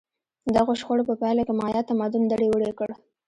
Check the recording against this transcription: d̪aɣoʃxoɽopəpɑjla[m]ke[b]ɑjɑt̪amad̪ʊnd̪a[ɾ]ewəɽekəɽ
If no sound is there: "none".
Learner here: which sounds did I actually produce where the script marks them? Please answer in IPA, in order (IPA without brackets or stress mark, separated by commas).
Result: none, m, ɽ